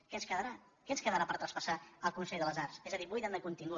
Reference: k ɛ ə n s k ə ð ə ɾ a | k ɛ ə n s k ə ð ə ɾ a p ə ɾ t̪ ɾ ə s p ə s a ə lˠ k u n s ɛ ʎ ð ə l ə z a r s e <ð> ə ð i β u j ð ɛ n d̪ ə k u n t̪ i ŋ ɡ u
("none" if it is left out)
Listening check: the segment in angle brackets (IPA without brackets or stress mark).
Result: z